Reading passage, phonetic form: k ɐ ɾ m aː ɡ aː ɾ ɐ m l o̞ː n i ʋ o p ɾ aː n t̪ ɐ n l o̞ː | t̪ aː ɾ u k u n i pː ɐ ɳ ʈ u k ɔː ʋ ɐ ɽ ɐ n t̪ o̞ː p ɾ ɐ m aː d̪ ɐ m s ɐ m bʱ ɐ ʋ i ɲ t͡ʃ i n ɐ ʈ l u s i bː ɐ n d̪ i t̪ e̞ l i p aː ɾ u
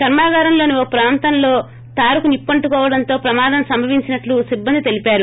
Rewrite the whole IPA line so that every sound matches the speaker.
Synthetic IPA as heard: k ɐ ɾ m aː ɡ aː ɾ ɐ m l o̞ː n i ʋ o p ɾ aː n t̪ ɐ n l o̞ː | t̪ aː ɾ u k u n i pː ɐ ɳ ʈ u k ɔː ʋ ɐ ɽ ɐ n t̪ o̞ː p ɾ ɐ m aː d̪ ɐ m s ɐ m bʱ ɐ ʋ i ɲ t͡ʃ i n ɐ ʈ l u s i bː ɐ n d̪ i t̪ e̞ l i p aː ɾ u